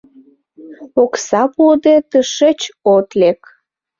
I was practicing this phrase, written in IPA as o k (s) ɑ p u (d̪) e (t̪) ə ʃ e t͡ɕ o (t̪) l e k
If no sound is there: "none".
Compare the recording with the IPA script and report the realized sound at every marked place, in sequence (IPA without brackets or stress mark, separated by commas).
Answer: s, d̪, t̪, t̪